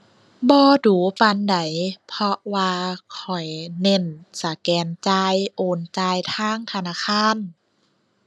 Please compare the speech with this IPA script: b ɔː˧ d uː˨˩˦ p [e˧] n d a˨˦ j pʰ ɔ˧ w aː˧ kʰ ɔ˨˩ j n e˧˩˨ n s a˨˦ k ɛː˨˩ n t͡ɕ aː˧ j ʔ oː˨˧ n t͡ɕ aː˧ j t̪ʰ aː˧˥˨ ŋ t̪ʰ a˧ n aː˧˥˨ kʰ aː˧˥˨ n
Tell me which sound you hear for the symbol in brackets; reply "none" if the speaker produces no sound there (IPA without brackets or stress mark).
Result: a˧